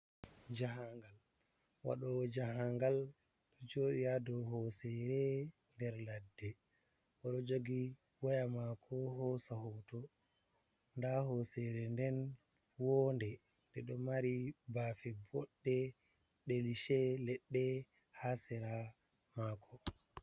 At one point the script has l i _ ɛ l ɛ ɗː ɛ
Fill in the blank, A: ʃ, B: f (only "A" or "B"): A